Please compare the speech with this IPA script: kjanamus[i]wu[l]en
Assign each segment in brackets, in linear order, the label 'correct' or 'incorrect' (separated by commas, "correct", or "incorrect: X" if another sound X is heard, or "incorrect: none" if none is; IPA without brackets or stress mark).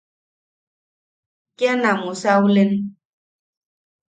incorrect: a, correct